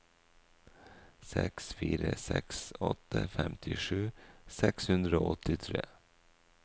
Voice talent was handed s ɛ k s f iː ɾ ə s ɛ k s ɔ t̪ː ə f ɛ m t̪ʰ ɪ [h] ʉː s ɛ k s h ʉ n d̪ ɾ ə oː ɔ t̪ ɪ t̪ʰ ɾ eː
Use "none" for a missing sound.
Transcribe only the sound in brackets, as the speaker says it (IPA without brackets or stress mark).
ʂ